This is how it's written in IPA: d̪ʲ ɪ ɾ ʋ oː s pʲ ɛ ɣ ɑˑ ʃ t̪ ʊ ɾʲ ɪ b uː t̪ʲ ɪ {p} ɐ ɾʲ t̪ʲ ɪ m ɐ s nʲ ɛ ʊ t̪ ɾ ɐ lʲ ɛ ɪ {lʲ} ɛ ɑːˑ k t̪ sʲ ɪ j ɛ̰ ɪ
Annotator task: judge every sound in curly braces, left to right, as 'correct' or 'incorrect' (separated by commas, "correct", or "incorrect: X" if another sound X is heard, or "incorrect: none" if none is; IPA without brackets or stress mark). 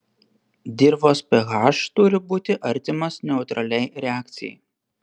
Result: incorrect: ʔ, incorrect: ɾʲ